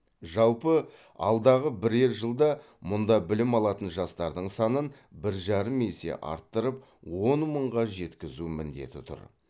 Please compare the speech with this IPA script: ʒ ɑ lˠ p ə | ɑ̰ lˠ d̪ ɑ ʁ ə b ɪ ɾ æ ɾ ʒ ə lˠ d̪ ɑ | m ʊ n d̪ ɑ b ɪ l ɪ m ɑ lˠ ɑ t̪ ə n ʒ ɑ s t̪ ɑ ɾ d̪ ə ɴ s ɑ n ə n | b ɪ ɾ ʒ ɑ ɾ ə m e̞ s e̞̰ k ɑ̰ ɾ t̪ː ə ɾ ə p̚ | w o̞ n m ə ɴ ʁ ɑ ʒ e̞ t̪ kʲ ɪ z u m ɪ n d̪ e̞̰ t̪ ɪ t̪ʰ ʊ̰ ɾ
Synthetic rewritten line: ʒ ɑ lˠ p ə | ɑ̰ lˠ d̪ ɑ ʁ ə b ɪ ɾ e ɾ ʒ ə lˠ d̪ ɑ | m ʊ n d̪ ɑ b ɪ l ɪ m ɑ lˠ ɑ t̪ ə n ʒ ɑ s t̪ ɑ ɾ d̪ ə ɴ s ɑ n ə n | b ɪ ɾ ʒ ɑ ɾ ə m e̞ s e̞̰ ʔ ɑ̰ ɾ t̪ː ə ɾ ə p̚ | w o̞ n m ə ɴ ʁ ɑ ʒ e̞ t̪ kʲ ɪ z u m ɪ n d̪ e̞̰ t̪ ɪ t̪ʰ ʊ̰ ɾ